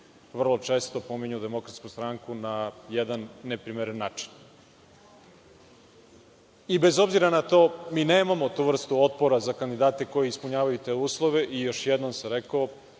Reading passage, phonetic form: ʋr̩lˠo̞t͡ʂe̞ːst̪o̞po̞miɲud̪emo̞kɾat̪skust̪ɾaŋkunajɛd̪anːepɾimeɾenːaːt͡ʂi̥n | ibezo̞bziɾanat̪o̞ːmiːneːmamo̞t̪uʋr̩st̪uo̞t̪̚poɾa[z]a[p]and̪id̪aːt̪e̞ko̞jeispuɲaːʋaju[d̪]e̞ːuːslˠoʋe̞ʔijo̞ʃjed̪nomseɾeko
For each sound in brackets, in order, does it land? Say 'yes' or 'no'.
yes, no, no

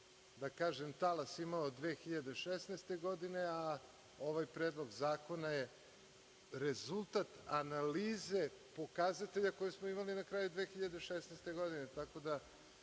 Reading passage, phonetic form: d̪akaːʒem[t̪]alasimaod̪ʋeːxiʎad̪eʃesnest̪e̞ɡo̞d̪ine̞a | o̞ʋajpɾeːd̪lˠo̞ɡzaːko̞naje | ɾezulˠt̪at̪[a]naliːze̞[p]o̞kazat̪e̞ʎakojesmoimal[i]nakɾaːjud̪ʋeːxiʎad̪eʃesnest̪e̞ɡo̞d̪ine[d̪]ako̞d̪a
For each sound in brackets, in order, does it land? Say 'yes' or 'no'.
yes, yes, yes, yes, no

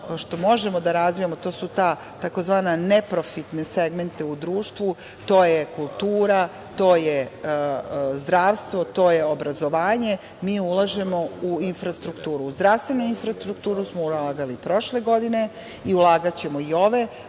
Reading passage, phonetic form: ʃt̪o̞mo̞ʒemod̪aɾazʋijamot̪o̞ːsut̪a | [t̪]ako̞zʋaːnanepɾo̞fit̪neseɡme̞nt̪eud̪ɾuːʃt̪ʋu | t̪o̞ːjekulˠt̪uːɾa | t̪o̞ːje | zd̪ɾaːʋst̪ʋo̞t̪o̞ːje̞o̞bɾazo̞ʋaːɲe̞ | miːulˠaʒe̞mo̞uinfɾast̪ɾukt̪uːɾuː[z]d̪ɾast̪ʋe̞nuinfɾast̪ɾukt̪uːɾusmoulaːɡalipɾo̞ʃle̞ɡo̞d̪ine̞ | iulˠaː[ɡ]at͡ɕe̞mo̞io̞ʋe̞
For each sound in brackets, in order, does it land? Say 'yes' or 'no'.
yes, yes, yes

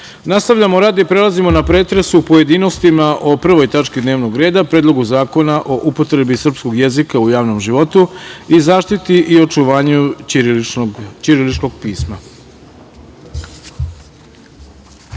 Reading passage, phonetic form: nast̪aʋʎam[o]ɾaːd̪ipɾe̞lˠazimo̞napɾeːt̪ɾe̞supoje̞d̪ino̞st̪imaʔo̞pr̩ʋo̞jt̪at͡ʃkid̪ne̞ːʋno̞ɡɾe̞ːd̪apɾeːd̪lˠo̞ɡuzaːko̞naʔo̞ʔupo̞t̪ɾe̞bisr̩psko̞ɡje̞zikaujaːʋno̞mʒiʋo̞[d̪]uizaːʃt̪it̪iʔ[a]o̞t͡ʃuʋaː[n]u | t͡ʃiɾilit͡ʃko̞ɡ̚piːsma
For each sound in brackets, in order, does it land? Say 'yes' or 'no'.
yes, no, no, no

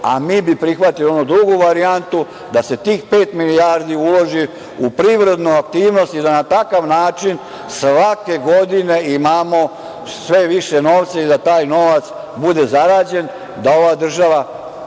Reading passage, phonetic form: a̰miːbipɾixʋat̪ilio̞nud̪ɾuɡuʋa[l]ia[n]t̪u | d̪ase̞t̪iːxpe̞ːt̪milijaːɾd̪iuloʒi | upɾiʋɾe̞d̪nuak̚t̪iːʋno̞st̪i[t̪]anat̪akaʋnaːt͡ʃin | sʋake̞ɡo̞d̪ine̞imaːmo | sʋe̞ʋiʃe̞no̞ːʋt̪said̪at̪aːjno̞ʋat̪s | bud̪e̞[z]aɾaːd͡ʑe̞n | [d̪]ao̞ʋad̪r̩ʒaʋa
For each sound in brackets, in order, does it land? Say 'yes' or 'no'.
no, yes, no, yes, yes

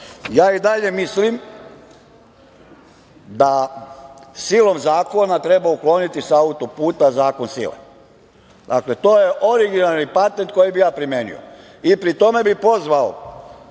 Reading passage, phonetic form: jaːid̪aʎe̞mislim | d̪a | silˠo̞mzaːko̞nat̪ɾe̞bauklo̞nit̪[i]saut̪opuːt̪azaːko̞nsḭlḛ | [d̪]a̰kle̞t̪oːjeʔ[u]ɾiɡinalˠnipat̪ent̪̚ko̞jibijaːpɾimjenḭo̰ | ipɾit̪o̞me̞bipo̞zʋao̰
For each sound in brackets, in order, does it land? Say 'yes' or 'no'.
yes, yes, no

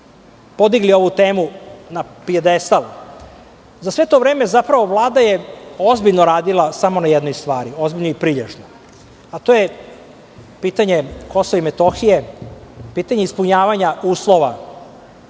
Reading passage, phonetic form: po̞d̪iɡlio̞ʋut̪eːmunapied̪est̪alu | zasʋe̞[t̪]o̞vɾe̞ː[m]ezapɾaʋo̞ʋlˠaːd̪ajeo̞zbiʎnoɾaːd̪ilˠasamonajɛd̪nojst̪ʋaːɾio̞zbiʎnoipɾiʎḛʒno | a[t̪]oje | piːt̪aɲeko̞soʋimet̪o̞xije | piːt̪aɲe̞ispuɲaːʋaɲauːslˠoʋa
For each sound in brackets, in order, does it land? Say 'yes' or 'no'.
yes, yes, yes

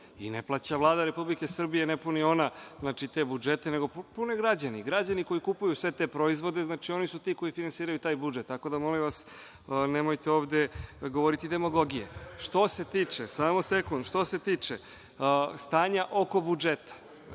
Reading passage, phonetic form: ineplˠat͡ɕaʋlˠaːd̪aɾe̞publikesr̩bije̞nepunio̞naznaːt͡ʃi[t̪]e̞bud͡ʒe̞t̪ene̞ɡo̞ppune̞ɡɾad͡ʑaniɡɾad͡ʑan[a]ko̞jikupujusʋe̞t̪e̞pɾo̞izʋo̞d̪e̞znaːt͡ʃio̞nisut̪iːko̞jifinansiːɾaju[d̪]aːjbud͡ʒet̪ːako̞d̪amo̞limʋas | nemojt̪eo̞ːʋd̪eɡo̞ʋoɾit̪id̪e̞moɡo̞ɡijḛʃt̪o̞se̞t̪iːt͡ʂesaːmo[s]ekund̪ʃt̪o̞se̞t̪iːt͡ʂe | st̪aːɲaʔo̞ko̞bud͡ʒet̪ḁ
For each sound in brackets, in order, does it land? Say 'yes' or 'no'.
yes, no, no, yes

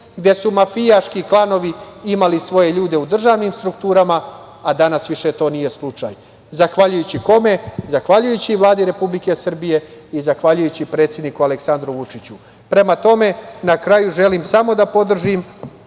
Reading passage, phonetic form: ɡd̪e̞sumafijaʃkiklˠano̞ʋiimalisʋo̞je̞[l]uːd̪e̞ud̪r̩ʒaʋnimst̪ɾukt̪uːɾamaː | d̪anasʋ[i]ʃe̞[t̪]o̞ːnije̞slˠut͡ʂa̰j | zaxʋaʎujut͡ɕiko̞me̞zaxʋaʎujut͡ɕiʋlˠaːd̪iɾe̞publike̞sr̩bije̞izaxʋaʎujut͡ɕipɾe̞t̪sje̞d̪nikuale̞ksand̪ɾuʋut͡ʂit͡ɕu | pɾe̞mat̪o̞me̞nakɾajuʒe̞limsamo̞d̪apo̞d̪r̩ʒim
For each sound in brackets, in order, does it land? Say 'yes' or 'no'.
no, yes, yes

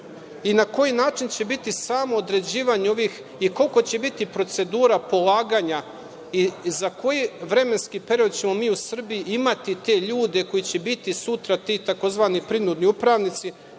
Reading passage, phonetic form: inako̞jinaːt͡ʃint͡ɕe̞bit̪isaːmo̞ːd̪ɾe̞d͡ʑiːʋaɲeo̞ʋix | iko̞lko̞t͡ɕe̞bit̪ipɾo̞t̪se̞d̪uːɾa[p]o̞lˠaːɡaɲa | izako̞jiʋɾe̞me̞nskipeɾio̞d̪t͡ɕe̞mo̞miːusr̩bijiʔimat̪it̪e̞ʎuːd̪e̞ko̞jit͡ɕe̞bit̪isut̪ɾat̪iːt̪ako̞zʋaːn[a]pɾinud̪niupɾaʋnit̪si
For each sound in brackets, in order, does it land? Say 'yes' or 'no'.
yes, no

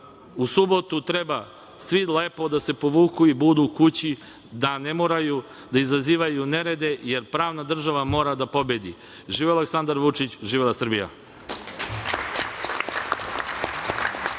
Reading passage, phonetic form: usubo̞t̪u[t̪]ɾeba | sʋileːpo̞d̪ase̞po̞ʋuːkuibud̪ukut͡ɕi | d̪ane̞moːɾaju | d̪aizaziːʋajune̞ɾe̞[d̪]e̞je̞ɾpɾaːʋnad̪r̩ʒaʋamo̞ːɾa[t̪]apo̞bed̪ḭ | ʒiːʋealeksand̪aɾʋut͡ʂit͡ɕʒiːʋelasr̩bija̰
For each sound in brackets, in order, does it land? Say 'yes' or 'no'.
yes, yes, no

